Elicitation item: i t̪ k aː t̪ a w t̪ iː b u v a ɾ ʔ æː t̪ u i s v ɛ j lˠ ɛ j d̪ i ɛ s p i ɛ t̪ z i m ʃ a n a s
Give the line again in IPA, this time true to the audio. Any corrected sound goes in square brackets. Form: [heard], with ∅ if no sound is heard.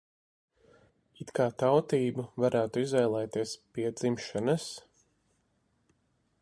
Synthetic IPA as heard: i t̪ k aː t̪ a w t̪ iː b u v a ɾ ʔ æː t̪ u i [z] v ɛ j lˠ ɛ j [t̪] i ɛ s p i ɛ [d̪] z i m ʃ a n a s